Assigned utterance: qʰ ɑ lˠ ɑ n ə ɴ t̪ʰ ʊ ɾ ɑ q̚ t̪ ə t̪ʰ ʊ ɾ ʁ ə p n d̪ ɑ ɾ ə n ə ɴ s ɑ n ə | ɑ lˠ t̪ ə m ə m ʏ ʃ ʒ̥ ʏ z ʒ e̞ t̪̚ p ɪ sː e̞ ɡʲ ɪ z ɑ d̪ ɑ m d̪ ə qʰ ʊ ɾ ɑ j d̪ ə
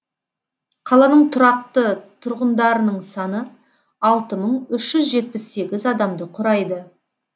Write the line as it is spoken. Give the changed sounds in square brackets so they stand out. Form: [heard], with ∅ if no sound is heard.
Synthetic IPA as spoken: qʰ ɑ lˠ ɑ n ə ɴ t̪ʰ ʊ ɾ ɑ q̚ t̪ ə t̪ʰ ʊ ɾ ʁ ə [∅] n d̪ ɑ ɾ ə n ə ɴ s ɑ n ə | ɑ lˠ t̪ ə m ə [ɴ] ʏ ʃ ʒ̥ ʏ z ʒ e̞ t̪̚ p ɪ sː e̞ ɡʲ ɪ z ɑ d̪ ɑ m d̪ ə qʰ ʊ ɾ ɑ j d̪ ə

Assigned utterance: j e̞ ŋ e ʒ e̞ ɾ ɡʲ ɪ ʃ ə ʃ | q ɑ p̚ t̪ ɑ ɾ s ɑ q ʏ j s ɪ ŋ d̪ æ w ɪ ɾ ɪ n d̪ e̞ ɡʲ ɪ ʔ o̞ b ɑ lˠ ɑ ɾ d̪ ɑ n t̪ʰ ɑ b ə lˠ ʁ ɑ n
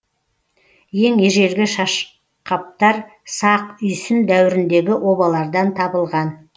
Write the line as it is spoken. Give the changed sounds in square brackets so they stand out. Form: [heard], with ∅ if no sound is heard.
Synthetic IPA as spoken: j e̞ ŋ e ʒ e̞ ɾ ɡʲ ɪ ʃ [ɑ] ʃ | q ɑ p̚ t̪ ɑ ɾ s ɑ q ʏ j s ɪ [n] d̪ æ w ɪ ɾ ɪ n d̪ e̞ ɡʲ ɪ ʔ o̞ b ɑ lˠ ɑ ɾ d̪ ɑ n t̪ʰ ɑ b ə lˠ ʁ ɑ n

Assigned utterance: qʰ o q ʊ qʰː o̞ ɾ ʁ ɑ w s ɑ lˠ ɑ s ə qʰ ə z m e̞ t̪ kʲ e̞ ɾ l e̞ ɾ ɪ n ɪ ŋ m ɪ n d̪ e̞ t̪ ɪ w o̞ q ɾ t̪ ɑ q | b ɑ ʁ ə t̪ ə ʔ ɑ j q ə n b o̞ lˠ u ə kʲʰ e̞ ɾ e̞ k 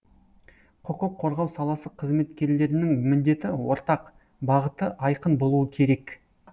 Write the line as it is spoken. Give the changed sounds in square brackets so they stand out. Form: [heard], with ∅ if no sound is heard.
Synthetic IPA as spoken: qʰ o q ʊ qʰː o̞ ɾ ʁ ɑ w s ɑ lˠ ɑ s ə qʰ ə z m e̞ t̪ kʲ e̞ ɾ l e̞ ɾ ɪ n ɪ ŋ m ɪ n d̪ e̞ t̪ ɪ w o̞ [∅] ɾ t̪ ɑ q | b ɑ ʁ ə t̪ ə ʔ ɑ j q ə n b o̞ lˠ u ə kʲʰ e̞ ɾ e̞ k

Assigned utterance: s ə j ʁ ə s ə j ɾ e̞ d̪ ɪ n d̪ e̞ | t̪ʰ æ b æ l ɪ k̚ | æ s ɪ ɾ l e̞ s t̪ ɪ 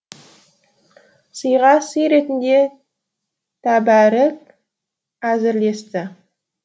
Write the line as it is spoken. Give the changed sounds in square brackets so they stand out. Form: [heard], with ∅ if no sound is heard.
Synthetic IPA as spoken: s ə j ʁ [ɑ] s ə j ɾ e̞ [t̪] ɪ n d̪ e̞ | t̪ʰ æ b æ [ɾ] ɪ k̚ | æ [z] ɪ ɾ l e̞ s t̪ ɪ

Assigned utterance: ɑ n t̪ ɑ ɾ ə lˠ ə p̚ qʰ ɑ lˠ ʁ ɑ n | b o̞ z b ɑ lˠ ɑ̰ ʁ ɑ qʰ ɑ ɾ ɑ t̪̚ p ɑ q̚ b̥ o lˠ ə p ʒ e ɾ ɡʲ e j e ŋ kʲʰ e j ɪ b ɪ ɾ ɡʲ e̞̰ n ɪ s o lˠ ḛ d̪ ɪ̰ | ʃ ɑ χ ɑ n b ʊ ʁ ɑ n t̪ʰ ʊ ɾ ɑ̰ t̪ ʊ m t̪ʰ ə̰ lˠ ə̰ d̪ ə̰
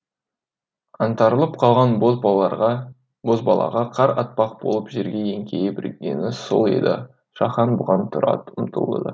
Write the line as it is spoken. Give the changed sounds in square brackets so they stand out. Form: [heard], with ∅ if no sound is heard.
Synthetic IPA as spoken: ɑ n t̪ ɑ ɾ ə lˠ ə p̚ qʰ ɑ lˠ ʁ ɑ n | b o̞ z b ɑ lˠ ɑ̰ ʁ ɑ qʰ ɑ ɾ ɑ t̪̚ p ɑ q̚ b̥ o lˠ ə p ʒ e ɾ ɡʲ e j e ŋ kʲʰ e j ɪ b ɪ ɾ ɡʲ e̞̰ n ɪ s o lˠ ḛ d̪ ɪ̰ | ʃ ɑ χ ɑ n b ʊ ʁ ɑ n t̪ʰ ʊ ɾ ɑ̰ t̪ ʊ m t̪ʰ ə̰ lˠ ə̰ d̪ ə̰

